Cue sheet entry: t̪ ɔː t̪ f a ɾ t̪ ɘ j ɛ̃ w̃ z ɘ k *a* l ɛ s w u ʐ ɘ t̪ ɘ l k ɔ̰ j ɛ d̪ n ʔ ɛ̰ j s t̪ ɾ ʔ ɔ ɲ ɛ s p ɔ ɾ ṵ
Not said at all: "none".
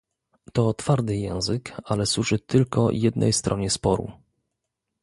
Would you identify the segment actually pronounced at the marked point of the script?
a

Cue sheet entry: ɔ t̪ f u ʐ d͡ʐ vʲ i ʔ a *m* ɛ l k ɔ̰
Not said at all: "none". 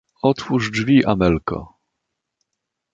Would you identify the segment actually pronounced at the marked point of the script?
m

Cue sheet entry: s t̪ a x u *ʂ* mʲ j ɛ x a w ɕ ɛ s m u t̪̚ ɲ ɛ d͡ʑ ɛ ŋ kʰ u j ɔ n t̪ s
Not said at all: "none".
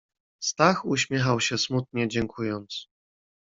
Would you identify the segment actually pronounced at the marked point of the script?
ɕ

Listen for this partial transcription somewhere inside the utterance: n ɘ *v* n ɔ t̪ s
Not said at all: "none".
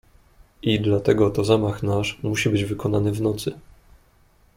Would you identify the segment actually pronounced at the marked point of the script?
v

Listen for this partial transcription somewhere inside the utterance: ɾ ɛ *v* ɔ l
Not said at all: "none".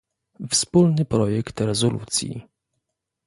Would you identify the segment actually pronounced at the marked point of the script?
z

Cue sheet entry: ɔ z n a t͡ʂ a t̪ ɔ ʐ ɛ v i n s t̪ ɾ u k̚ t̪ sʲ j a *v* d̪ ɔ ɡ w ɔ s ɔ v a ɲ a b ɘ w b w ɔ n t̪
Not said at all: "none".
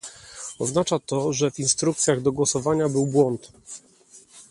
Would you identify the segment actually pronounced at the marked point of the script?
ɣ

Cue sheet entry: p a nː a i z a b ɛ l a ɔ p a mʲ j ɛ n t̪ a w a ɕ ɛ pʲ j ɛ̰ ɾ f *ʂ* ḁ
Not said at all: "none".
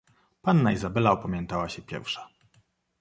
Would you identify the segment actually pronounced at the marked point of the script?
ʂ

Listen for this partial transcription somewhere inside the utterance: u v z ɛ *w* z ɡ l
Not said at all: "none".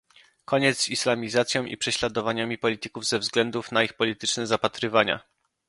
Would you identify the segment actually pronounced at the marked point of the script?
v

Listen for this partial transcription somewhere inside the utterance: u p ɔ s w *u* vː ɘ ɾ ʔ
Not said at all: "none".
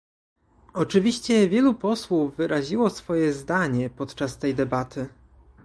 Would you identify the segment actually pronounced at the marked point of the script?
u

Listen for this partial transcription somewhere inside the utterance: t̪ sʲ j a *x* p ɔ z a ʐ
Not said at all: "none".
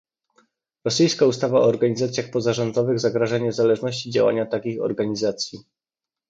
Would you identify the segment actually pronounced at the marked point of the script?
x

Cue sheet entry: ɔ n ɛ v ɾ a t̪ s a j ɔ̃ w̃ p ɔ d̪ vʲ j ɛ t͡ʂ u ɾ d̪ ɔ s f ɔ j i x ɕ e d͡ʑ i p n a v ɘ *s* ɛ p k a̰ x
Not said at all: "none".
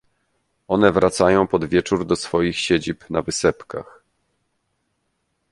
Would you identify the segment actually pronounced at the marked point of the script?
s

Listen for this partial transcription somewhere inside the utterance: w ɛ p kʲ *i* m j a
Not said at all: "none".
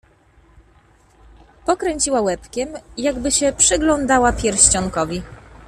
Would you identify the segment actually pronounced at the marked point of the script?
ɛ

